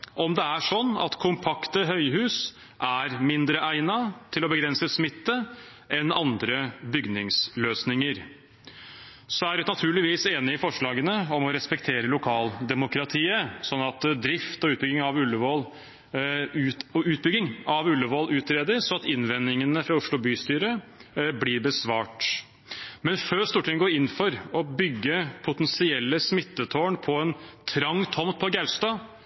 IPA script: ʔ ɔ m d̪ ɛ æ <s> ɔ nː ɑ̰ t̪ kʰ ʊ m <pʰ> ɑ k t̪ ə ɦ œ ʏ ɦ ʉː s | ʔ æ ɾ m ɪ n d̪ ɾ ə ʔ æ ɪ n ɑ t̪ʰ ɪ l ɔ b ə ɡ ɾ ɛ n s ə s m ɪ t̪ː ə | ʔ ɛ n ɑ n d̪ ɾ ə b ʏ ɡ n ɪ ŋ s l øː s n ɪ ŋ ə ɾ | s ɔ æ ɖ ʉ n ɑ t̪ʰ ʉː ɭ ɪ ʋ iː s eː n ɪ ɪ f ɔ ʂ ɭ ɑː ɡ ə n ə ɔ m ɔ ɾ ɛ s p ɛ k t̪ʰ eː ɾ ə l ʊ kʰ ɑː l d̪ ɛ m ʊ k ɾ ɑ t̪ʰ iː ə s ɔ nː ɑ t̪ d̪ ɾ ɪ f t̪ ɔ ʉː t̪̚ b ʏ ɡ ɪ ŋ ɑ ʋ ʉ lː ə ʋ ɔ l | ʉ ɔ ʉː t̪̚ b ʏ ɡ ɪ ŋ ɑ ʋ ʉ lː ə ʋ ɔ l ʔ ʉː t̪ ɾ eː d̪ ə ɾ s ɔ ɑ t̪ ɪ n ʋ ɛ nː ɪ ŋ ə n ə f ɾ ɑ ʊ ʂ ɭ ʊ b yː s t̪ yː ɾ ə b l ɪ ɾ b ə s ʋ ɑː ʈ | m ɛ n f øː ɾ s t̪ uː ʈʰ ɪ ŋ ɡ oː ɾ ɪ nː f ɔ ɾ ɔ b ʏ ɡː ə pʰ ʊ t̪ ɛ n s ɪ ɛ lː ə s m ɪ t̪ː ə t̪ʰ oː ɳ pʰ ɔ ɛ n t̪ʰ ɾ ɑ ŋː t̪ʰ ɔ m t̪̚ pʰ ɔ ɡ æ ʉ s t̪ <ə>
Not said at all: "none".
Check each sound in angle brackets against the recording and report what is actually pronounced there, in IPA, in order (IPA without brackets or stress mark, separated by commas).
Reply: ʂ, pʰ, ɑ